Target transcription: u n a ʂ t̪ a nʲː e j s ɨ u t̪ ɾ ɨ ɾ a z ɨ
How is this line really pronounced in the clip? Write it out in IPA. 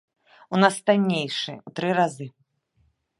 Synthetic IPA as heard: u n a s t̪ a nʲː e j ʂ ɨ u t̪ ɾ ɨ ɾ a z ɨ